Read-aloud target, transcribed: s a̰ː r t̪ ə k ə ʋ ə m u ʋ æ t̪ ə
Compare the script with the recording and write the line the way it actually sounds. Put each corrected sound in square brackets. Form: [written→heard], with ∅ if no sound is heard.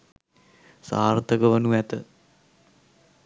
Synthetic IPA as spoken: s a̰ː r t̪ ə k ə ʋ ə [m→n] u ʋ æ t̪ ə